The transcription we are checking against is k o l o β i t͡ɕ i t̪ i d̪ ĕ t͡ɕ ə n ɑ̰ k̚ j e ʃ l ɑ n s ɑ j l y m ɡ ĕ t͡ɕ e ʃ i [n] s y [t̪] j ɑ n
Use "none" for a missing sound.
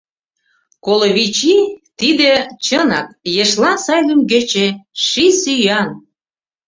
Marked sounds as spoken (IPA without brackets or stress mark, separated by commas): none, none